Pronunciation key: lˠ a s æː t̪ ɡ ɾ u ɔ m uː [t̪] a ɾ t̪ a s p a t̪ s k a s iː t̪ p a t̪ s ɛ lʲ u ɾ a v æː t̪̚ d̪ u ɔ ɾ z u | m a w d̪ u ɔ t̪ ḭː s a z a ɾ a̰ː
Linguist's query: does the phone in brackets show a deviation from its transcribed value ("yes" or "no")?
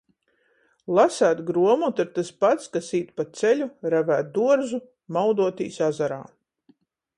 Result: no